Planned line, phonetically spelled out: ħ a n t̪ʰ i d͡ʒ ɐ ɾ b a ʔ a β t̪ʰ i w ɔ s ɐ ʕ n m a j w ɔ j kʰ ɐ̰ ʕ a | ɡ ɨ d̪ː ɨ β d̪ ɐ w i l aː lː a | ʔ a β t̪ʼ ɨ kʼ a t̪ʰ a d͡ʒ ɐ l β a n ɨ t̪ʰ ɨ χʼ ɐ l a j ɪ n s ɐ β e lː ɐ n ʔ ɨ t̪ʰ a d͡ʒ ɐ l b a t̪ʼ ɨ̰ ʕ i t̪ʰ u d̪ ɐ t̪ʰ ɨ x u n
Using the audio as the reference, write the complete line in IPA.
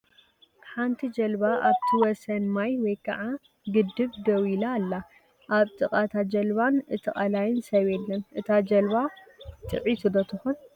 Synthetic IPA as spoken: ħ a n t̪ʰ i d͡ʒ ɐ l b a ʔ a β t̪ʰ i w ɔ s ɐ n m a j w ɔ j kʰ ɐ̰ ʕ a | ɡ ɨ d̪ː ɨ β d̪ ɐ w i l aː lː a | ʔ a β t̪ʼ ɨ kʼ a t̪ʰ a d͡ʒ ɐ l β a n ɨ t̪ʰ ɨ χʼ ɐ l a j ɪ n s ɐ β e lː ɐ n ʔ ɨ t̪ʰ a d͡ʒ ɐ l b a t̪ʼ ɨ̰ ʕ i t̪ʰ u d̪ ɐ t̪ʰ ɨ x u n